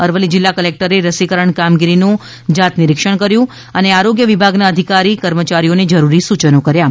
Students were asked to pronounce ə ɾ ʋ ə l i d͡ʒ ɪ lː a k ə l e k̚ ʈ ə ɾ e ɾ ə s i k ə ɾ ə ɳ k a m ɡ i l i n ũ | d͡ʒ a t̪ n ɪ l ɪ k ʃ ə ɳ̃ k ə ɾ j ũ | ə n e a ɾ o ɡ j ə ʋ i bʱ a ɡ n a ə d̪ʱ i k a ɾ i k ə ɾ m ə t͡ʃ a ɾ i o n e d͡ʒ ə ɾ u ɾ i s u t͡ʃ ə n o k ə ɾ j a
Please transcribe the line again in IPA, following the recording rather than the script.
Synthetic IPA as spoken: ə ɾ ʋ ə l i d͡ʒ ɪ lː a k ə l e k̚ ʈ ə ɾ e ɾ ə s i k ə ɾ ə ɳ k a m ɡ i ɾ i n ũ | d͡ʒ a t̪ n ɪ ɾ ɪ k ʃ ə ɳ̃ k ə ɾ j ũ | ə n e a ɾ o ɡ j ə ʋ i bʱ a ɡ n a ə d̪ʱ i k a ɾ i k ə ɾ m ə t͡ʃ a ɾ i o n e d͡ʒ ə ɾ u ɾ i s u t͡ʃ ə n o k ə ɾ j a